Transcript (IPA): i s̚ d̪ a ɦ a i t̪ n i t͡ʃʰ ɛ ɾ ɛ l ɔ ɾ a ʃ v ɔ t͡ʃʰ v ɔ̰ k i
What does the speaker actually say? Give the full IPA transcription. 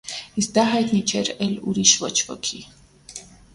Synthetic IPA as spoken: i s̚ d̪ a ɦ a j t̪ n i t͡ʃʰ ɛ ɾ ɛ l u ɾ i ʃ v ɔ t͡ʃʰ v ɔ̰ kʰ i